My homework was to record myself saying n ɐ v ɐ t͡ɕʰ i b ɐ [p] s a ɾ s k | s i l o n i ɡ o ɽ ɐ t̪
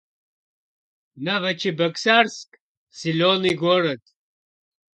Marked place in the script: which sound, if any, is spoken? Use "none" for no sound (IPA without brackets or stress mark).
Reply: k